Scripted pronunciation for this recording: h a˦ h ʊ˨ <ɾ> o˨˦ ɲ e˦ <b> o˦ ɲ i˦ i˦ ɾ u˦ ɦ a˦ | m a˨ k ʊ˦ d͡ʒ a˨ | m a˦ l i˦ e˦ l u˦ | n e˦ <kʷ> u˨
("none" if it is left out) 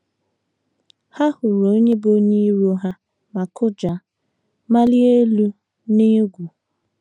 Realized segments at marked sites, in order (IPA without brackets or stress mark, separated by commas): ɾ, b, ɡʷ